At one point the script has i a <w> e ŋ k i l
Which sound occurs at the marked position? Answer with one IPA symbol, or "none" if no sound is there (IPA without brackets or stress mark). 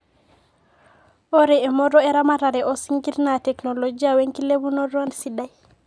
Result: w